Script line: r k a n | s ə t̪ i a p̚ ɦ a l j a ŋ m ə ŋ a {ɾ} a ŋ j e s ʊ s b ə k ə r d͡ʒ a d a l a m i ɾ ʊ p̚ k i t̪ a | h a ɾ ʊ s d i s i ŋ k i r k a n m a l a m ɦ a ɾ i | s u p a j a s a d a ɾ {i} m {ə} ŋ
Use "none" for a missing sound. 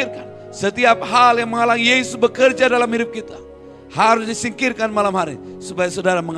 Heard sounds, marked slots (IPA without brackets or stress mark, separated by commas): l, a, ə